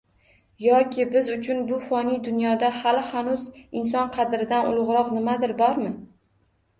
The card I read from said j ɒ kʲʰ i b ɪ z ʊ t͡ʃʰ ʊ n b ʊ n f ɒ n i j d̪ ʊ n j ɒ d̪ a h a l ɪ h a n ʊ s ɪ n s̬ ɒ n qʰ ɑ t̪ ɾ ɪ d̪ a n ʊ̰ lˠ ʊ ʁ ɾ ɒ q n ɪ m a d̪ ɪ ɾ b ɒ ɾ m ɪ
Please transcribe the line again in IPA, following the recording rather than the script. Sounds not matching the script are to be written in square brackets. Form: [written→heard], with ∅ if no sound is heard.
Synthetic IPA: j ɒ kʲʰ [i→ɪ] b ɪ z ʊ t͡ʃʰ ʊ n b ʊ [n→∅] f ɒ n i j d̪ ʊ n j ɒ d̪ a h a l ɪ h a n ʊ [s→z] ɪ n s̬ ɒ n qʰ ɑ [t̪→d̪] ɾ ɪ d̪ a n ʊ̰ lˠ ʊ ʁ ɾ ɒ q n ɪ m a d̪ ɪ ɾ b ɒ ɾ m ɪ